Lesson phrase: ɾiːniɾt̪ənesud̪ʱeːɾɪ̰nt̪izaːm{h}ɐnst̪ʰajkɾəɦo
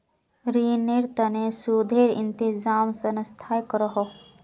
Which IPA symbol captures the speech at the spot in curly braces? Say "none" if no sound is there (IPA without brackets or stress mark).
s